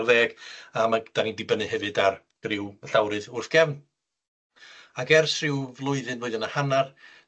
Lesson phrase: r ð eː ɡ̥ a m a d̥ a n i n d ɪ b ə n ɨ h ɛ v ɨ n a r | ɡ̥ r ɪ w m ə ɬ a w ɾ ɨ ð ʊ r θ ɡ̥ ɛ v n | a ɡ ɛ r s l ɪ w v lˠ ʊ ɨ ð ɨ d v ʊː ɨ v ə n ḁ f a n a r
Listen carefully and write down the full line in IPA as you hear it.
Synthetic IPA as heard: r ð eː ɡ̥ a m a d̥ a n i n d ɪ b ə n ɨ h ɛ v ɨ d a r | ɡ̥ r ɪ w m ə ɬ a w ɾ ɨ ð ʊ r θ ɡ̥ ɛ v n | a ɡ ɛ r s r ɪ w v lˠ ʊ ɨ ð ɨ n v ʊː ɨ ð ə n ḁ h a n a r